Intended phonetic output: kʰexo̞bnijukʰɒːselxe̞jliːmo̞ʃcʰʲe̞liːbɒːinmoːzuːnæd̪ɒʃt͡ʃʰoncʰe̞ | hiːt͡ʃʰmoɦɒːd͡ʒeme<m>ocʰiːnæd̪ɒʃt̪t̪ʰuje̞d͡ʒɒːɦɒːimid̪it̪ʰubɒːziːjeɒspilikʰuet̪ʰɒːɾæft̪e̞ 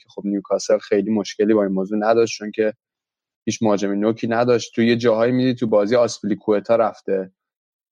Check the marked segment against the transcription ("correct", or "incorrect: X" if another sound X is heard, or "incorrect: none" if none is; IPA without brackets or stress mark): incorrect: n